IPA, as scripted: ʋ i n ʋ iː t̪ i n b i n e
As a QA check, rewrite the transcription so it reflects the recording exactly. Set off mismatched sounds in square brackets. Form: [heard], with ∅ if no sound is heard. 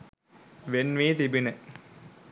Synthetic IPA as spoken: ʋ [e] n ʋ iː t̪ i [∅] b i n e